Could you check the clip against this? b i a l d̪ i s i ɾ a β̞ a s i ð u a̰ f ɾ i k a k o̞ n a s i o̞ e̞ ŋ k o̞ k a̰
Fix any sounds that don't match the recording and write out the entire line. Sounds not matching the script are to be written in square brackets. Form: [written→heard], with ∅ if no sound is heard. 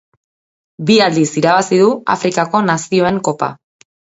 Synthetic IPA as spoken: b i a l d̪ i s i ɾ a β̞ a s i ð u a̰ f ɾ i k a k o̞ n a s i o̞ e̞ ŋ k o̞ [k→p] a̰